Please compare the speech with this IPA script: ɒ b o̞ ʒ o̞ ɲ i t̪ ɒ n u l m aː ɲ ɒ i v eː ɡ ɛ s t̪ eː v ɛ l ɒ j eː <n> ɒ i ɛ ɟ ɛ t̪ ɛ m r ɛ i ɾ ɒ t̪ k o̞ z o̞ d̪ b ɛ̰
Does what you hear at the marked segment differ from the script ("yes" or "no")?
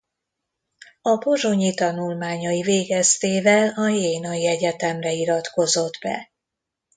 no